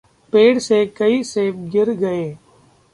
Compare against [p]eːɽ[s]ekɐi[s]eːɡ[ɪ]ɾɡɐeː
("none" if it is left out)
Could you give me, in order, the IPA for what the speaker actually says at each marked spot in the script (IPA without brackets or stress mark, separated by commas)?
p, s, s, ɪ